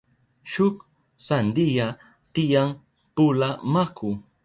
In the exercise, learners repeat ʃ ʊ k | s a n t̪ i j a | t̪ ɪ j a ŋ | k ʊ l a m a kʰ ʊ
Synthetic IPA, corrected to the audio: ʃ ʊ k | s a n d̪ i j a | t̪ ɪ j a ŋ | p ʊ l a m a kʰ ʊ